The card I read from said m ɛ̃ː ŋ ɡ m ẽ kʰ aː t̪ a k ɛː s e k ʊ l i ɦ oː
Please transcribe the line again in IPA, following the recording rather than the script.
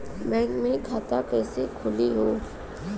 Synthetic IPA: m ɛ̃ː ŋ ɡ m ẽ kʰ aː t̪ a k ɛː s e kʰ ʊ l i ɦ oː